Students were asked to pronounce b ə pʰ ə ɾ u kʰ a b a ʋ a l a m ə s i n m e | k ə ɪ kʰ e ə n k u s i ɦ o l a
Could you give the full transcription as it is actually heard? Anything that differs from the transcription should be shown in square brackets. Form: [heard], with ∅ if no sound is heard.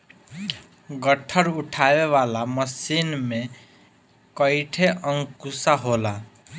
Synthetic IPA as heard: [ɡ] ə [ʈʰ] ə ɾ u [ʈʰ] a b [e] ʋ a l a m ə s i n m e | k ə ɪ [ʈʰ] e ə [ŋ] k u s [a] ɦ o l a